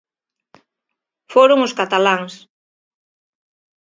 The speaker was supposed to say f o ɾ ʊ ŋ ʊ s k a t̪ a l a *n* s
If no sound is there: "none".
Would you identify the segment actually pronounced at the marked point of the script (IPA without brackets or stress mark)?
ŋ